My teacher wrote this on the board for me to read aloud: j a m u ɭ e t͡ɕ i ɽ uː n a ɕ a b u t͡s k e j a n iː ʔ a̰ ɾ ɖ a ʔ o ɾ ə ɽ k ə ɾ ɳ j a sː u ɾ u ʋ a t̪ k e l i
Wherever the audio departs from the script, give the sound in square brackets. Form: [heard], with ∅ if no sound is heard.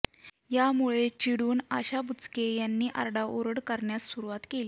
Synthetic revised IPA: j a m u ɭ e t͡ɕ i ɽ uː n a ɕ a b u t͡s k e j a [nː] iː ʔ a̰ ɾ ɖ a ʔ o ɾ ə ɽ k ə ɾ ɳ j a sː u ɾ u ʋ a t̪ k e l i